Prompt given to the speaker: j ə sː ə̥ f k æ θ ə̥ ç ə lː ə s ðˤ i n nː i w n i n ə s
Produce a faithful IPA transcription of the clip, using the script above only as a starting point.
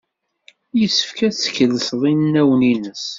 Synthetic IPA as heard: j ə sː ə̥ f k æ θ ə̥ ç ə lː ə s ðˤ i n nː æ w n i n ə s